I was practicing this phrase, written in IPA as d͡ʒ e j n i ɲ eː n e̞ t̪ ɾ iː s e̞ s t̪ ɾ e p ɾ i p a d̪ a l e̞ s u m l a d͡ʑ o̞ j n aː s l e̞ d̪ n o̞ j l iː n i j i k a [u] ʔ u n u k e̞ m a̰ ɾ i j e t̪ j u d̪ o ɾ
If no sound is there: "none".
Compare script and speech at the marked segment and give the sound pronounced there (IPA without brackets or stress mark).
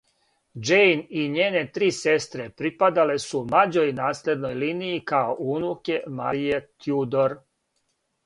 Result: o